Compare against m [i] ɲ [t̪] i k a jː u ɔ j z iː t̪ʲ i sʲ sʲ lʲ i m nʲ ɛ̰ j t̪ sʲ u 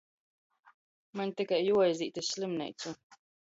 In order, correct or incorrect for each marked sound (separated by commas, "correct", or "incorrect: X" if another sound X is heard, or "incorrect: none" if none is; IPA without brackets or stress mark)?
incorrect: a, correct